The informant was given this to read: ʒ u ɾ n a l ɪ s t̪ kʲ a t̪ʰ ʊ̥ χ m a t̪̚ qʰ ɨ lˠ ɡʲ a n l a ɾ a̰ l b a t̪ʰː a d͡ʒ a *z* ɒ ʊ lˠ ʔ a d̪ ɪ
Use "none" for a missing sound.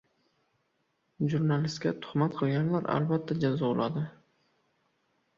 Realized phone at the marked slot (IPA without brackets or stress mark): z